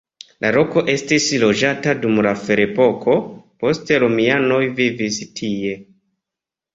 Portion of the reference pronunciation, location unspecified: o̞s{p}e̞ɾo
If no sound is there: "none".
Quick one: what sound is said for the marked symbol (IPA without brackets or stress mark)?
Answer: t